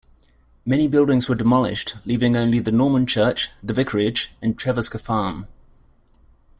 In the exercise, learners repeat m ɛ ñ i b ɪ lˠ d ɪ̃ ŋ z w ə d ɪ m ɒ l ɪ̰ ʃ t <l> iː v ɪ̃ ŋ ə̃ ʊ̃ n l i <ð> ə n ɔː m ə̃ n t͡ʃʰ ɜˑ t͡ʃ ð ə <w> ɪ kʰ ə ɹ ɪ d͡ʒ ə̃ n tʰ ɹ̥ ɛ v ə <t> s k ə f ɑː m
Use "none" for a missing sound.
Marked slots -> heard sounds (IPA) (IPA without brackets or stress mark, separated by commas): l, ð, v, none